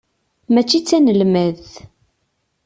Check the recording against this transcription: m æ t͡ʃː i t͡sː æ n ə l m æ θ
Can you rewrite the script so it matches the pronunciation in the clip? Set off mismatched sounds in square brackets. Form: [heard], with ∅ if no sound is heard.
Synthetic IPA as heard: m æ t͡ʃː i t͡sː æ n ə l m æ [ð]